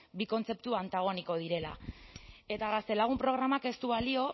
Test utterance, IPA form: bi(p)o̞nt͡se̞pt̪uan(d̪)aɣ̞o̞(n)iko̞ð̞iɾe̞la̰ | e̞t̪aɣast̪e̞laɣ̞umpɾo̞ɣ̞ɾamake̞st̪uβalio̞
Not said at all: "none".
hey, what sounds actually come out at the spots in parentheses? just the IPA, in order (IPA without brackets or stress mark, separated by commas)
k, t̪, n